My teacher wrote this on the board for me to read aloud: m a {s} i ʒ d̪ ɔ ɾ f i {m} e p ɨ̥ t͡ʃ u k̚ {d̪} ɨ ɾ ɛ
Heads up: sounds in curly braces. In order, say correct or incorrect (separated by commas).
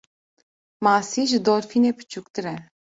correct, incorrect, incorrect